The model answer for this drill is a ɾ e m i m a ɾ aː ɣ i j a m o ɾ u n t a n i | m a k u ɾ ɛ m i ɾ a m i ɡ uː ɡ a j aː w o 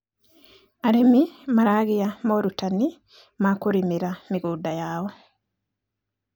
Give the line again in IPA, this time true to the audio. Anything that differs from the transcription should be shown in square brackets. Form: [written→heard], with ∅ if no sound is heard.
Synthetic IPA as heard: a ɾ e m i m a ɾ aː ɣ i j a m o ɾ u [n→∅] t a n i | m a k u ɾ [ɛ→i] m i ɾ a m i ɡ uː [ɡ→d] a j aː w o